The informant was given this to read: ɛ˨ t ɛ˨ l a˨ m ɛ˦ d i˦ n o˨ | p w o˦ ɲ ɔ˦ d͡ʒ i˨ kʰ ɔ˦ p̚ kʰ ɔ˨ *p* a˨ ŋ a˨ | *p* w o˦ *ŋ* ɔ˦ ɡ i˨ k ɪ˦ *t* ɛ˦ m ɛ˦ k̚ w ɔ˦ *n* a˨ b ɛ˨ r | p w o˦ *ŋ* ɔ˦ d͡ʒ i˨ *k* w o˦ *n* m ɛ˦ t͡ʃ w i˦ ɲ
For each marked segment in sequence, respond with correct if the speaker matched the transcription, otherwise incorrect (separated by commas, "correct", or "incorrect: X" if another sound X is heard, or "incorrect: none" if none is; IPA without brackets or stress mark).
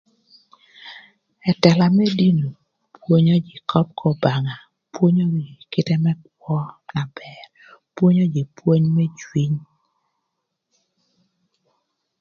incorrect: b, correct, incorrect: ɲ, correct, correct, incorrect: ɲ, incorrect: p, incorrect: ɲ